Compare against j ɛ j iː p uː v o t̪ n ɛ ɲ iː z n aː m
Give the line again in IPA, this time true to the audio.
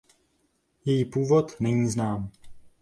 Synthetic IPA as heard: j ɛ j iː p uː v o t̪ n ɛ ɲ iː z n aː m